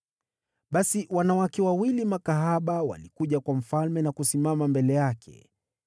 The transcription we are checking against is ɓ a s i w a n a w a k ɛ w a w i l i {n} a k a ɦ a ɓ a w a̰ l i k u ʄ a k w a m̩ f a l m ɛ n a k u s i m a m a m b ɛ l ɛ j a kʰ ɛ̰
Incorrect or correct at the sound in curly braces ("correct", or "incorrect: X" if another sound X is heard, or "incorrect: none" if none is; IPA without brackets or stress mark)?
incorrect: m